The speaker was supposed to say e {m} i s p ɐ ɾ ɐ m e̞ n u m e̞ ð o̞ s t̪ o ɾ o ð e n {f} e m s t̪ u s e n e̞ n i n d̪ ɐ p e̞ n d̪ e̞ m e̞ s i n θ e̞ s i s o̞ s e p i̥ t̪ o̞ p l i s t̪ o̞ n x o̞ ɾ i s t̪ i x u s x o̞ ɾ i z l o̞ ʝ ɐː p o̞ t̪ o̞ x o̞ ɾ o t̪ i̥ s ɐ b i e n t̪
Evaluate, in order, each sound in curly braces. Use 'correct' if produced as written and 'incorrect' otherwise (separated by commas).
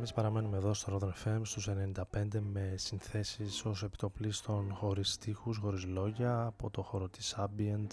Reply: correct, correct